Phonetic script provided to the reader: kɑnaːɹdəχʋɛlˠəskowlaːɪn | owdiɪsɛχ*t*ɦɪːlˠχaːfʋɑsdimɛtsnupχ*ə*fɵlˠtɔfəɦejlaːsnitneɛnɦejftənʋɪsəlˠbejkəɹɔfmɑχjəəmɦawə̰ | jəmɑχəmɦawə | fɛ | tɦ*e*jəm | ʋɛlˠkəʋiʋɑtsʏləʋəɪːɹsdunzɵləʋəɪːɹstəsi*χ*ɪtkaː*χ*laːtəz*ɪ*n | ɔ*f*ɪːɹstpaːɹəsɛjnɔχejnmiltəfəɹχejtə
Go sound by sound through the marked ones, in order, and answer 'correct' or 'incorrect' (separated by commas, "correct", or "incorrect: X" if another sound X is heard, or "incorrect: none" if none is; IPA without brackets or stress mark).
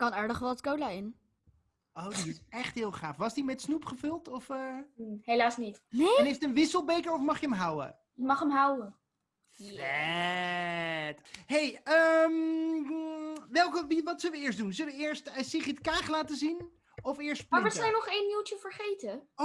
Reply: correct, correct, correct, correct, correct, incorrect: i, correct